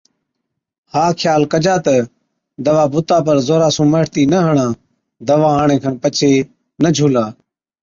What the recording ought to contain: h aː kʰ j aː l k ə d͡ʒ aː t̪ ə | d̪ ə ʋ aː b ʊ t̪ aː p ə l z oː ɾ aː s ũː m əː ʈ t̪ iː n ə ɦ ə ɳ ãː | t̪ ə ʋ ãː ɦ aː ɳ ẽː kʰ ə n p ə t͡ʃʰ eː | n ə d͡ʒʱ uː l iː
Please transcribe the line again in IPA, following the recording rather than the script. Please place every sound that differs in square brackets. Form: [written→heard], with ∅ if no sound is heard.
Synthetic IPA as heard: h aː kʰ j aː l k ə d͡ʒ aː t̪ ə | d̪ ə ʋ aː b ʊ t̪ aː p ə [l→ɾ] z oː ɾ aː s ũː m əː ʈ t̪ iː n ə ɦ ə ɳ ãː | [t̪→d̪] ə ʋ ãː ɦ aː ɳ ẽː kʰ ə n p ə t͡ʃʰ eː | n ə d͡ʒʱ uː l [iː→aː]